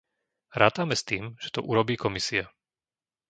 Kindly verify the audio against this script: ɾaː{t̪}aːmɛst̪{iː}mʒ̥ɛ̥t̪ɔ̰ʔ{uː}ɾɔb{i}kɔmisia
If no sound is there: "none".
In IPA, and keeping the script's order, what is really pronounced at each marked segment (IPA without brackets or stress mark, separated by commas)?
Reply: t̪, iː, u, iː